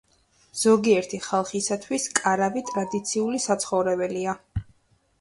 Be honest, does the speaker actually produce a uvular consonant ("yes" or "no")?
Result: yes